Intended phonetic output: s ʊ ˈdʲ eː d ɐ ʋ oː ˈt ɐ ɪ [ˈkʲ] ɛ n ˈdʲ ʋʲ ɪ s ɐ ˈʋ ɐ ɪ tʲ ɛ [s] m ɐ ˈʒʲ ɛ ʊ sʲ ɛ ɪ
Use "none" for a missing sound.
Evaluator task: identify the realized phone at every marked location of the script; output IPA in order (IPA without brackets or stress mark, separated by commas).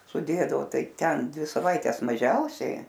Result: tʲ, s